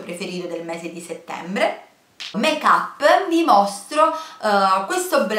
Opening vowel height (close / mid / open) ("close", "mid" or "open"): mid